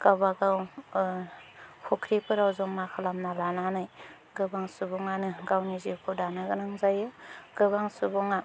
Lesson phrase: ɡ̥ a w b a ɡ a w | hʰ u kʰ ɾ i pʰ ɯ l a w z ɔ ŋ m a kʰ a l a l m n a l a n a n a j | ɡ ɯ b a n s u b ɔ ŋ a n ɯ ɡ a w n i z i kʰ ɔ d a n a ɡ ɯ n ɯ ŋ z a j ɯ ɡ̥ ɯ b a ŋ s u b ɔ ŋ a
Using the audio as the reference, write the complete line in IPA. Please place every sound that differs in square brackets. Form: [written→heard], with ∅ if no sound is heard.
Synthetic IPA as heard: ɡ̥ a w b a ɡ a w | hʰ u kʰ ɾ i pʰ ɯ [l→ɾ] a w z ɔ ŋ m a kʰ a l a [l→∅] m n a l a n a n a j | ɡ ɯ b a [n→ŋ] s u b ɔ ŋ a n ɯ ɡ a w n i z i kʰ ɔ d a n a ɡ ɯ n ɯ ŋ z a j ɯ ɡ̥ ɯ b a ŋ s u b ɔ ŋ a